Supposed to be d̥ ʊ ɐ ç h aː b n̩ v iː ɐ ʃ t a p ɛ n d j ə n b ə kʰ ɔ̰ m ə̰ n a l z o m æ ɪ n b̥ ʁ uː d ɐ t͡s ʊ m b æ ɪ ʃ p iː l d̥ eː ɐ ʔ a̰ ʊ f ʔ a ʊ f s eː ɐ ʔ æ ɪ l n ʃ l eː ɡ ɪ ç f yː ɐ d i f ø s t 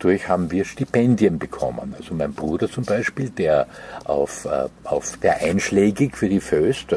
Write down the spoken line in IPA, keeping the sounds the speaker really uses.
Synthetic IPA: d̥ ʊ ɐ ç h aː b m̩ v iː ɐ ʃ t i p ɛ n d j ə n b ə kʰ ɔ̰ m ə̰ n a l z o m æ ɪ n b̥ ʁ uː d ɐ t͡s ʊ m b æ ɪ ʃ p iː l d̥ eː ɐ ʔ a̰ ʊ f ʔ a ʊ f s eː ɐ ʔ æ ɪ n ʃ l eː ɡ ɪ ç f yː ɐ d i f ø s t